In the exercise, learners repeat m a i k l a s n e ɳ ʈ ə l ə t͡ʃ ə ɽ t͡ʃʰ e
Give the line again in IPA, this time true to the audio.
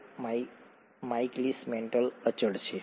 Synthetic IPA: m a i k l i s m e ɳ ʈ ə l ə t͡ʃ ə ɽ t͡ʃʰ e